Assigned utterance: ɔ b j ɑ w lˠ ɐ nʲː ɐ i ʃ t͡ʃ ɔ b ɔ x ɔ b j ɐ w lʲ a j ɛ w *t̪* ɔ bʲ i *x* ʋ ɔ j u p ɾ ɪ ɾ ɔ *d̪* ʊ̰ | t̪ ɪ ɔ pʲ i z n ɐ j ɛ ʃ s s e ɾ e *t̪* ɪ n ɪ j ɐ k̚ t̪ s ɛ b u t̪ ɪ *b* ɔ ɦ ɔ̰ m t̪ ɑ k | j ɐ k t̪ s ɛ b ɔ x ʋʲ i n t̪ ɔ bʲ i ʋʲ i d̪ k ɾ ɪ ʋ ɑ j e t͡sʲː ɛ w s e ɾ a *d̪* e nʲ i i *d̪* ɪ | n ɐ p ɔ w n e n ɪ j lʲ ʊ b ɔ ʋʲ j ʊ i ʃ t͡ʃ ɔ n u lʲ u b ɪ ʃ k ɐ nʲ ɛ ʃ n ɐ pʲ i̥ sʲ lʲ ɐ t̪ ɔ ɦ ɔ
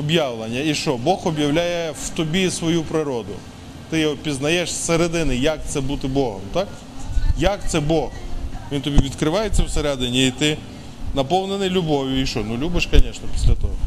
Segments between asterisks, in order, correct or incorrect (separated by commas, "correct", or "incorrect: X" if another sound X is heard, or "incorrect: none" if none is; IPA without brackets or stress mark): correct, incorrect: s, correct, incorrect: d̪, correct, correct, incorrect: t̪